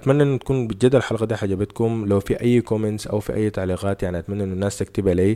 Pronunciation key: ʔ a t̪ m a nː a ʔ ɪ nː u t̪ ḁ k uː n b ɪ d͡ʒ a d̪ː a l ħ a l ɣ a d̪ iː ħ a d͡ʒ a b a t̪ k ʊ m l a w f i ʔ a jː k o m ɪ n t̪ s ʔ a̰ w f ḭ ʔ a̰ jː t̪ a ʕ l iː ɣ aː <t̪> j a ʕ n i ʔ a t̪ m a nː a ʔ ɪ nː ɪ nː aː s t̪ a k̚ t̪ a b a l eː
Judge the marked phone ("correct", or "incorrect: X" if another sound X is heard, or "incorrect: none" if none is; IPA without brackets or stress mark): correct